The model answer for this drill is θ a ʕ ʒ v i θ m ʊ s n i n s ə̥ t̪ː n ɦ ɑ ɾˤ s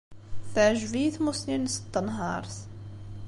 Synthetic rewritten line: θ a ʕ ʒ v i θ m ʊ s n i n s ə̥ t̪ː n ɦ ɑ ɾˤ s

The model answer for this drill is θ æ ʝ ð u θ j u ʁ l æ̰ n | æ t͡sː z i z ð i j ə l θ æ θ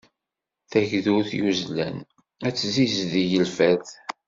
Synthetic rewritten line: θ æ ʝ ð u θ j u z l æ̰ n | æ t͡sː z i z ð i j ə l f æ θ

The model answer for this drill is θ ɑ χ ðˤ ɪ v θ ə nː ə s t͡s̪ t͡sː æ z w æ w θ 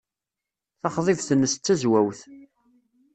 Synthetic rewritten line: θ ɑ χ ðˤ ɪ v θ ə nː ə s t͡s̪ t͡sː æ z w æ w θ

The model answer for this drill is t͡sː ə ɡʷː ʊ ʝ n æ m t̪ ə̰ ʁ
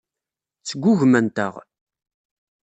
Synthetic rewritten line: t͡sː ə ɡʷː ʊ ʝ m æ n t̪ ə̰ ʁ

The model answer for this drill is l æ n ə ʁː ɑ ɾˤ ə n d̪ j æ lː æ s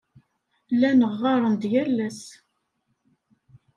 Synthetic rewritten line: l æ n ə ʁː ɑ ɾˤ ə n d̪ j æ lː æ s

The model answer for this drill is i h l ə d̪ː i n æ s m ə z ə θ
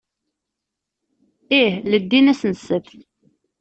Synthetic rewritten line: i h l ə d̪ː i n æ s n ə s ə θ

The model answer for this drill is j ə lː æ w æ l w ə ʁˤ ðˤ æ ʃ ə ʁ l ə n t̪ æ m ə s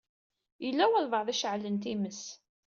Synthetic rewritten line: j ə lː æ w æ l v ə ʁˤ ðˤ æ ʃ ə ʕ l ə n t̪ i m ə s

